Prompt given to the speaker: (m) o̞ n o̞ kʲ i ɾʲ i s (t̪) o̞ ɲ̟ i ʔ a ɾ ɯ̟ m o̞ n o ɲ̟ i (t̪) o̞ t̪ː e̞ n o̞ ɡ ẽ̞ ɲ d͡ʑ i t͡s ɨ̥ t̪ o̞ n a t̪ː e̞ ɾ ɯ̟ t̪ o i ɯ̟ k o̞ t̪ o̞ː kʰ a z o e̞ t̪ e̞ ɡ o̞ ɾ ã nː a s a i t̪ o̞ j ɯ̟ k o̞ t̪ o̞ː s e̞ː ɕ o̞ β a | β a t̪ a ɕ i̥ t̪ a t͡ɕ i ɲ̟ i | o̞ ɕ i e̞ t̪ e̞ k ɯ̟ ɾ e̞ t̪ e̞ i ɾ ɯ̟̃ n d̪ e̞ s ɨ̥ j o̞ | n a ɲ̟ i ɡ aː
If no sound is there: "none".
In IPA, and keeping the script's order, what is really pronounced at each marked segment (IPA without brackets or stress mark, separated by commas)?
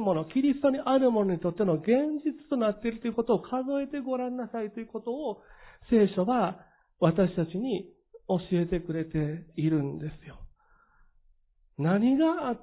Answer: m, t̪, t̪